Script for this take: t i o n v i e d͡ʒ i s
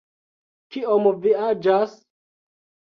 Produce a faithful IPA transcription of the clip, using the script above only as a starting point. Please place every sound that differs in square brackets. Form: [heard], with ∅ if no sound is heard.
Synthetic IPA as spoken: [k] i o [m] v i [a] d͡ʒ [a] s